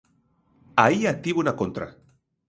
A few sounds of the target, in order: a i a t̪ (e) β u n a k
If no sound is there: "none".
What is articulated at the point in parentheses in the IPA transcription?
i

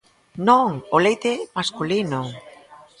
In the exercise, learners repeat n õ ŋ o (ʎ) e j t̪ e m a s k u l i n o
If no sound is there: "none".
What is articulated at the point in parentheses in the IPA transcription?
l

